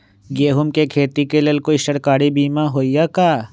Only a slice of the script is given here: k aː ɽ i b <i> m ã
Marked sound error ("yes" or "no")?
yes